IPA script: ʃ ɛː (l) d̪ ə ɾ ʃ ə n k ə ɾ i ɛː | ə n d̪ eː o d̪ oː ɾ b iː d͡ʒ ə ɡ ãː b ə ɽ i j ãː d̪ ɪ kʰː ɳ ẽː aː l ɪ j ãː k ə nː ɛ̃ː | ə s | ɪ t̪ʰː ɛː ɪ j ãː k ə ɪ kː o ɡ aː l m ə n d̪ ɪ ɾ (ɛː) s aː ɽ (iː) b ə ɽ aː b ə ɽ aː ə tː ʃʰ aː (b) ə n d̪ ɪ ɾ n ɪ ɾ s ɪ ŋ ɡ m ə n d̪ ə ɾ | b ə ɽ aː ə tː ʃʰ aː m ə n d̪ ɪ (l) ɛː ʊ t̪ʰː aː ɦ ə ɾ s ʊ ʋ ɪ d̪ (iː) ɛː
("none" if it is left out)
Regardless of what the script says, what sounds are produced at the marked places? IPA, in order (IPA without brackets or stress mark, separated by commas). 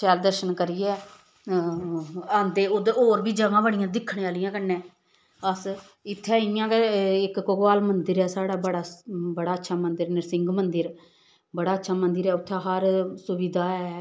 l, ɛː, aː, m, ɾ, aː